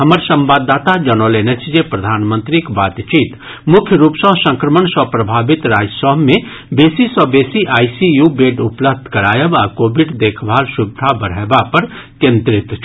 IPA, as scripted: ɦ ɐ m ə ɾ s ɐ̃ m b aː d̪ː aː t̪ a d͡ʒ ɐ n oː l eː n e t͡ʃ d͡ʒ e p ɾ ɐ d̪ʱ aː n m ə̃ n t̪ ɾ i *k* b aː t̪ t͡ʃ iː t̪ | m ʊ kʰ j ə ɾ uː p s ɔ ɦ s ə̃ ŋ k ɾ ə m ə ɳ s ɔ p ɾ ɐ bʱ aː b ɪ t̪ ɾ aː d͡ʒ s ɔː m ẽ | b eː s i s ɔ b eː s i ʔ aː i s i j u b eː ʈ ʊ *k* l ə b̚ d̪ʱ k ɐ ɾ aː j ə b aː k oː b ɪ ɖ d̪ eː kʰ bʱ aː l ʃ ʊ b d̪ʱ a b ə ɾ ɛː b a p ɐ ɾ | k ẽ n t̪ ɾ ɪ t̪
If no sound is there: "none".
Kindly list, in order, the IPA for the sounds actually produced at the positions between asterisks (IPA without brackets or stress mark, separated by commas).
k, p